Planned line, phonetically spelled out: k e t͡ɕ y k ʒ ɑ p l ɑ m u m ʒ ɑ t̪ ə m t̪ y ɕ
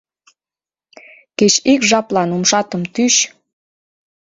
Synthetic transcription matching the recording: k e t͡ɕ i k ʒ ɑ p l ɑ n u m ʃ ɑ t̪ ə m t̪ y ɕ